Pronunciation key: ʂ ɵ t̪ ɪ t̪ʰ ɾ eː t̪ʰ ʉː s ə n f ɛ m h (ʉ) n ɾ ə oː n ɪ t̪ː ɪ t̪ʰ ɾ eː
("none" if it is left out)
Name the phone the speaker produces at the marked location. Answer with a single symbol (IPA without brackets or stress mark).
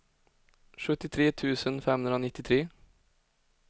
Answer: ʉ